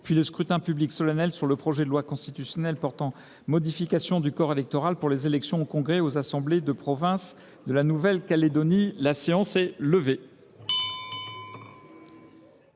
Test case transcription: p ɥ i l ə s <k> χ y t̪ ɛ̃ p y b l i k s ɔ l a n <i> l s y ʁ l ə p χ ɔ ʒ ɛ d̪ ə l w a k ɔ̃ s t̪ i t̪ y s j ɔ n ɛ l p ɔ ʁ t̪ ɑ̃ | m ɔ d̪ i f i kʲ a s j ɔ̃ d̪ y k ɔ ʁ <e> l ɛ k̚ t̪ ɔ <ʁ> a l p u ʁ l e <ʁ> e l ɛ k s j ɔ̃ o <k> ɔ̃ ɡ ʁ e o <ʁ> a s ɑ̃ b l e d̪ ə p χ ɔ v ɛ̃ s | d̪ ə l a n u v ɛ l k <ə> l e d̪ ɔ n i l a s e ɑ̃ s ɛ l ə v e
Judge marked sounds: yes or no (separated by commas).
yes, no, yes, yes, no, yes, no, no